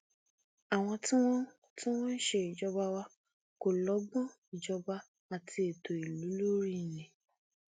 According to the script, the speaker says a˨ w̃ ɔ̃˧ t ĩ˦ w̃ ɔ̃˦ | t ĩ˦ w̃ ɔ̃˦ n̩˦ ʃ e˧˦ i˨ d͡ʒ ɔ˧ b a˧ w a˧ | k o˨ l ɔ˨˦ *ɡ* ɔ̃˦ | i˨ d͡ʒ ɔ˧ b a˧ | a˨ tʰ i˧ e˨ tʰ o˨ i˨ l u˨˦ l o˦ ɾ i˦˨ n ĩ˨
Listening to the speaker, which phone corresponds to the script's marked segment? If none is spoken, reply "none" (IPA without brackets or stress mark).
ɡ͡b